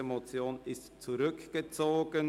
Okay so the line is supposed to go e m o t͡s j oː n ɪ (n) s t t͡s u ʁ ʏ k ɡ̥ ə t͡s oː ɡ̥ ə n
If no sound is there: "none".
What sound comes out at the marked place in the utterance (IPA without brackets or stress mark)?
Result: none